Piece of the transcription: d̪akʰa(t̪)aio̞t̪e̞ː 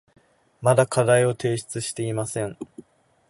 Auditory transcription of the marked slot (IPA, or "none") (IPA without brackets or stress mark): d̪